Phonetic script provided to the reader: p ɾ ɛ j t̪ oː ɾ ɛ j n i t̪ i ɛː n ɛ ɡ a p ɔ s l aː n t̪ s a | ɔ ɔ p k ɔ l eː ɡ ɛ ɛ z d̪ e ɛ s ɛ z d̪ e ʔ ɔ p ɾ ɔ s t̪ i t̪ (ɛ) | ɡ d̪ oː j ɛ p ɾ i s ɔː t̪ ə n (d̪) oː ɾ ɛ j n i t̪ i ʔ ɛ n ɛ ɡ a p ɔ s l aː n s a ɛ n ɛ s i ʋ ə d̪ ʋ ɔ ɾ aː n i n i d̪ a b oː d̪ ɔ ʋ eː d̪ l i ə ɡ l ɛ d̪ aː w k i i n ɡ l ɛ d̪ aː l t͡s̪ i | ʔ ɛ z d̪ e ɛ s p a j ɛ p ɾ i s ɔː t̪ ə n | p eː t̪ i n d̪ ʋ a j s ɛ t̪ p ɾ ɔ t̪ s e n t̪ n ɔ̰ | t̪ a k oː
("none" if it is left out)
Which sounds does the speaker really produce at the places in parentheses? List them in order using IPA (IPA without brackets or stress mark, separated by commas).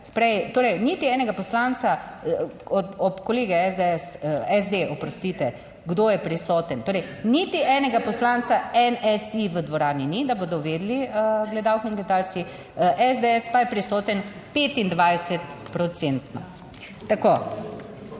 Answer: ɛ, t̪